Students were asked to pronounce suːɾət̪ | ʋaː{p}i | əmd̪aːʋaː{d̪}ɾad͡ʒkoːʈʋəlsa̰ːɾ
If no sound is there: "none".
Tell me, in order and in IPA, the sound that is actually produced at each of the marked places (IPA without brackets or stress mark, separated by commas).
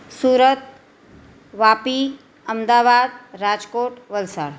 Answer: p, d̪